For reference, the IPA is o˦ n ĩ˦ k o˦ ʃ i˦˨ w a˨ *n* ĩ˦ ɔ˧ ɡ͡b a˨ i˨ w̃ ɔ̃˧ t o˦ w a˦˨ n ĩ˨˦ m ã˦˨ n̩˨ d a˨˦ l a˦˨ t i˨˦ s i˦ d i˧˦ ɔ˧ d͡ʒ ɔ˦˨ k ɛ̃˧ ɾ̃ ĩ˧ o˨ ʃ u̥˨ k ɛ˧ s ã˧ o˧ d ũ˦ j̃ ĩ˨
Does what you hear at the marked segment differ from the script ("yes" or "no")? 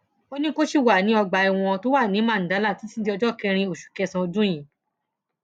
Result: no